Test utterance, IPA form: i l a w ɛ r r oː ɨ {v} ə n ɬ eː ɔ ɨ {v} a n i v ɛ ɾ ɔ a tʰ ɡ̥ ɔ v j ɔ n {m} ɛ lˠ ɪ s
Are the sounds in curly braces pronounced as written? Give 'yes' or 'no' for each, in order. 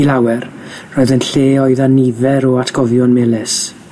no, no, yes

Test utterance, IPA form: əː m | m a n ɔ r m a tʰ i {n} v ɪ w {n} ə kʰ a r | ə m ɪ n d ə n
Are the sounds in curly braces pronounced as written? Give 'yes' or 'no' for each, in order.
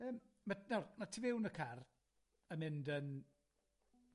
no, yes

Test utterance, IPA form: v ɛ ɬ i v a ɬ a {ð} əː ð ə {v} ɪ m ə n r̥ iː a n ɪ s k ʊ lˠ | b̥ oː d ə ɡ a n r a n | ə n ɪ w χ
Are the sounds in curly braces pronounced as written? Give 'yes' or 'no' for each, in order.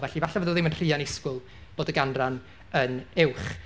no, no

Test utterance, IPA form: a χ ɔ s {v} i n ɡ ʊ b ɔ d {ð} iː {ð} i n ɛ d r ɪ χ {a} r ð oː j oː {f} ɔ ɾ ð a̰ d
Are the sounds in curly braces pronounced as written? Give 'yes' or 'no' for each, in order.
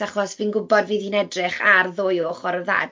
yes, no, yes, yes, no

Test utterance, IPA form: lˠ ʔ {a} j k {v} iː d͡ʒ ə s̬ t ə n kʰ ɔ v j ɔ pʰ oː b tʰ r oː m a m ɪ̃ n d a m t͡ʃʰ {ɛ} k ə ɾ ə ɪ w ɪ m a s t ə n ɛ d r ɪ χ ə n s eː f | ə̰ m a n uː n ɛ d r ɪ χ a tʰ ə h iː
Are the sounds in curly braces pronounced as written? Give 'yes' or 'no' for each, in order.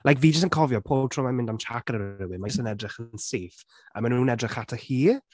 yes, yes, no

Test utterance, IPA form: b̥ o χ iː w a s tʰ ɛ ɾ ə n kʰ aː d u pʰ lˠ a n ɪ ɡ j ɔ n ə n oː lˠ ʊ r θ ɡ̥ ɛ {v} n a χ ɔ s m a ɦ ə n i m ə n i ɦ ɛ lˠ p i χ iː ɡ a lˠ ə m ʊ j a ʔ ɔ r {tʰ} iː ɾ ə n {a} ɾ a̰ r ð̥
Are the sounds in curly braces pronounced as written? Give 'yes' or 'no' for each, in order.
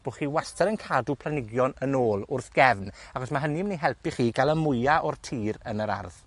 yes, yes, no

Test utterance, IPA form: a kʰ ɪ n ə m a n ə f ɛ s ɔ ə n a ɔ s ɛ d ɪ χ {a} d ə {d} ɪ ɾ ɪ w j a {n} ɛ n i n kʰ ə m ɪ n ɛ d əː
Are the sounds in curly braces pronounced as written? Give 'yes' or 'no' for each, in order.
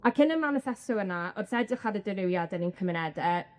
yes, yes, no

